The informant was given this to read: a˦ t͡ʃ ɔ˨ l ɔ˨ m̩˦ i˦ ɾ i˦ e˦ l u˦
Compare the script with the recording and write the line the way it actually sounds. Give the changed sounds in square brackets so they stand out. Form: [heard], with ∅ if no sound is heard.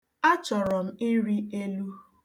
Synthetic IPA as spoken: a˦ t͡ʃ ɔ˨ [ɾ] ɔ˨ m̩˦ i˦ ɾ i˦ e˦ l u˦